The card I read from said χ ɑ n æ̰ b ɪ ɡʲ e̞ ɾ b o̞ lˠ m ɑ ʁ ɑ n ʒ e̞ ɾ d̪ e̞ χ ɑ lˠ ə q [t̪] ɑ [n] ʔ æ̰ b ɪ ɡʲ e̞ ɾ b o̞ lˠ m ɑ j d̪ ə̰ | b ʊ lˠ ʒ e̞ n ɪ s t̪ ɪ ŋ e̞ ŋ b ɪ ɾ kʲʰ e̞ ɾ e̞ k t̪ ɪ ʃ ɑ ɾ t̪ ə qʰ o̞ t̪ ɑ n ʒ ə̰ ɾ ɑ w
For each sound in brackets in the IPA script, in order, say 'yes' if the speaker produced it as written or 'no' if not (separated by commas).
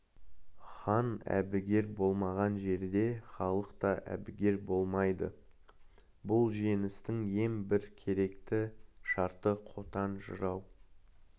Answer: yes, no